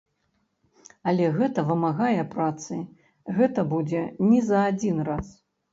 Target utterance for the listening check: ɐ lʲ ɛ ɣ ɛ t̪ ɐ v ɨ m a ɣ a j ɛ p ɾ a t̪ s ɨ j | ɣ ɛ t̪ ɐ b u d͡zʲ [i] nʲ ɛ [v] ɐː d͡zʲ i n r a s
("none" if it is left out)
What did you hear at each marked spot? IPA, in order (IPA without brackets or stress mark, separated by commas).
ɛ, z